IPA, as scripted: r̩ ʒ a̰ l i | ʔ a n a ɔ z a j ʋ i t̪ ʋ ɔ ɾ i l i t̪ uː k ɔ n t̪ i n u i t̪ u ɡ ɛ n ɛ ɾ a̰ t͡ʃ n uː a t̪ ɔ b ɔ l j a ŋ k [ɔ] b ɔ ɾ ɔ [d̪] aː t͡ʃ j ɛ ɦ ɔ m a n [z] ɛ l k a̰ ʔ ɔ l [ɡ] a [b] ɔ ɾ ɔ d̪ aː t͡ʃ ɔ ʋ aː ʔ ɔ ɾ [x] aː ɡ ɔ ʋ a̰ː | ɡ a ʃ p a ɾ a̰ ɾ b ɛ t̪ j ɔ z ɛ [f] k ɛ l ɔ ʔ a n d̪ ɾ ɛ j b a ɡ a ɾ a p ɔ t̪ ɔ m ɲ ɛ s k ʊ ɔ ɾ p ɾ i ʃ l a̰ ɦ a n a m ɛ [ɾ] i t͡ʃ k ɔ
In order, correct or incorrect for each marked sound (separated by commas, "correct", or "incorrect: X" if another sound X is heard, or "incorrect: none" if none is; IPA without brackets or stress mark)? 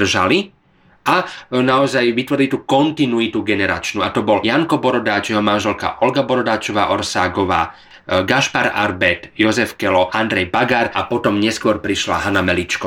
correct, correct, incorrect: ʒ, correct, correct, incorrect: s, correct, incorrect: l